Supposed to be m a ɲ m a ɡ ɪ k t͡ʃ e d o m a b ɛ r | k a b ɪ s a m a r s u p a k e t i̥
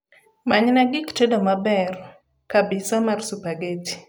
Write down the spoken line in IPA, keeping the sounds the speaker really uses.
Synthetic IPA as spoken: m a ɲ n a ɡ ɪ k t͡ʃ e d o m a b ɛ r | k a b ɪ s a m a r s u p a ɡ e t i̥